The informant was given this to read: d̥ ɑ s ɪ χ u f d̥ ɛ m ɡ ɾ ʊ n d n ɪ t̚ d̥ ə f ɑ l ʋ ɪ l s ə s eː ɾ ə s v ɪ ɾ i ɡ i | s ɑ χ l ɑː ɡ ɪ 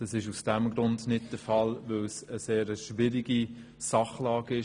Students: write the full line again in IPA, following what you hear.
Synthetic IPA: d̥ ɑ s ɪ ʃ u s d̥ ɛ m ɡ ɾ ʊ n d n ɪ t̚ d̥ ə f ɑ l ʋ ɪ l s ə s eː ɾ ə ʃ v ɪ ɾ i ɡ i | s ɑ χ l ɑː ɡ ɪ